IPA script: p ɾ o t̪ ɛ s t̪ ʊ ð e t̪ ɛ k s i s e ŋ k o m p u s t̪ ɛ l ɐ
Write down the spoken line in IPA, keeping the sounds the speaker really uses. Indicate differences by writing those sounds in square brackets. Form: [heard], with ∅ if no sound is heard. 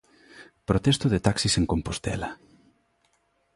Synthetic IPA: p ɾ o t̪ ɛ s t̪ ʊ ð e t̪ [a] k s i s e ŋ k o m p [o] s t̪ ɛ l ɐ